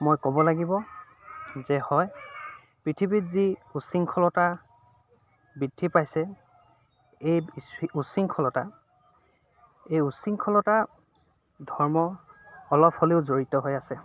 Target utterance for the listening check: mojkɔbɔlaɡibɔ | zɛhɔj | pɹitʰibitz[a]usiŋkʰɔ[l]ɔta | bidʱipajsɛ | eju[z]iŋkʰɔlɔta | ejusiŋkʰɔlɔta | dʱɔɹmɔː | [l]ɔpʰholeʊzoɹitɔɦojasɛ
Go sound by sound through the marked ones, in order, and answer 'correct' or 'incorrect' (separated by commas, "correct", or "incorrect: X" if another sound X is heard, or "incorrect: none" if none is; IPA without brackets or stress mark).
incorrect: i, correct, incorrect: s, correct